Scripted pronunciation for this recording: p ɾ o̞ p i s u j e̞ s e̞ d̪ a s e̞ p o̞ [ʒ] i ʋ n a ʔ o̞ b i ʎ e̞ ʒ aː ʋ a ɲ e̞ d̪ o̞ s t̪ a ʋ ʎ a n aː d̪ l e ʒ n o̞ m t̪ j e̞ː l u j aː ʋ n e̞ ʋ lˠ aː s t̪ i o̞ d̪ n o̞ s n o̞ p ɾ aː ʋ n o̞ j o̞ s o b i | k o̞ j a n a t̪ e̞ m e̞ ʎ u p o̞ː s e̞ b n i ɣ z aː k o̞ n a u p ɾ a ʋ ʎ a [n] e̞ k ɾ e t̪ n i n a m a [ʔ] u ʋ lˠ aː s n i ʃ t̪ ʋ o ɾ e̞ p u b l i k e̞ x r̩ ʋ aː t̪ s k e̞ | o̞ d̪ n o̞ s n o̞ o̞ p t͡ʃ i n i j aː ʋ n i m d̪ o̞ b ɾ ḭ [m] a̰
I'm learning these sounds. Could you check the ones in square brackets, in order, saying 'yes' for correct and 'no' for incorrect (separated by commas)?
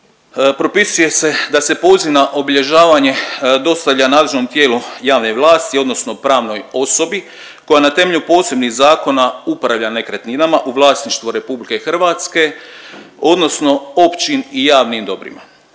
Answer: no, yes, yes, yes